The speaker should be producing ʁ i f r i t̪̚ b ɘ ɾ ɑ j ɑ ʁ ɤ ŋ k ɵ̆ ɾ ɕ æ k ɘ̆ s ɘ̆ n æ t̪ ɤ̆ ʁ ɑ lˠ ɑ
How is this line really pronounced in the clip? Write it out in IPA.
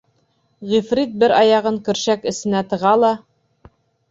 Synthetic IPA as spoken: ʁ i f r i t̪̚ b ɘ ɾ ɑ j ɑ ʁ ɤ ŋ k ɵ̆ ɾ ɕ æ k ɘ̆ s ɘ̆ n æ t̪ ɤ̆ ʁ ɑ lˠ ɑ